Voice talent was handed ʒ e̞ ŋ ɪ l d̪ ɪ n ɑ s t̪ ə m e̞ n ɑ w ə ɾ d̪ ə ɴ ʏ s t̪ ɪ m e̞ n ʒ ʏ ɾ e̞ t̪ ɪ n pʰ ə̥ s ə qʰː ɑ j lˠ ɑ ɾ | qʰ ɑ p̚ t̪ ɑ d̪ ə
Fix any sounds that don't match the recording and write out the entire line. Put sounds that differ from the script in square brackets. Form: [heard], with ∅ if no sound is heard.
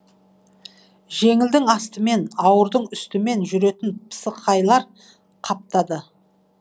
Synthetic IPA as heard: ʒ e̞ ŋ ɪ l d̪ ɪ [ŋ] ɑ s t̪ ə m e̞ n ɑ w ə ɾ d̪ ə ɴ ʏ s t̪ ɪ m e̞ n ʒ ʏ ɾ e̞ t̪ ɪ n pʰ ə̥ s ə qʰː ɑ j lˠ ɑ ɾ | qʰ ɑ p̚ t̪ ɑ d̪ ə